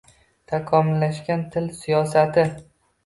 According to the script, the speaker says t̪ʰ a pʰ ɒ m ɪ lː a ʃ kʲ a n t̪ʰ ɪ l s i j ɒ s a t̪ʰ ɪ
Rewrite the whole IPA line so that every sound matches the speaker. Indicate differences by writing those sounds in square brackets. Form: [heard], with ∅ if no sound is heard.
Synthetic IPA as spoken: t̪ʰ a [kʰ] ɒ m ɪ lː a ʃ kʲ a n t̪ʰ ɪ l s i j ɒ s a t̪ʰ ɪ